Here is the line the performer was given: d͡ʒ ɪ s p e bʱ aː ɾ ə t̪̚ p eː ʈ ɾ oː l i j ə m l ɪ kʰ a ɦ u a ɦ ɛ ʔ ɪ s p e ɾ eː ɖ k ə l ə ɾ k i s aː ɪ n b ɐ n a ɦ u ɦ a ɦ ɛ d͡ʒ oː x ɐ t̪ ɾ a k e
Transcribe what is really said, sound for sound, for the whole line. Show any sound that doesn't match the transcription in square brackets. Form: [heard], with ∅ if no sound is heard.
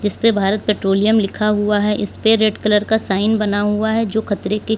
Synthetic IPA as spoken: d͡ʒ ɪ s p e bʱ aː ɾ ə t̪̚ p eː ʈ ɾ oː l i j ə m l ɪ kʰ a ɦ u a ɦ ɛ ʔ ɪ s p e ɾ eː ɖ k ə l ə ɾ k [a] s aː ɪ n b ɐ n a ɦ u [∅] a ɦ ɛ d͡ʒ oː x ɐ t̪ ɾ [e] k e